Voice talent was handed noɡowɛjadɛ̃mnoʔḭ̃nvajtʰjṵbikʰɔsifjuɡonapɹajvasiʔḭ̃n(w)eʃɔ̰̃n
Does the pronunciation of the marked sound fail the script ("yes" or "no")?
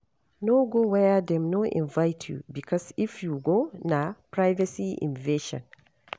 yes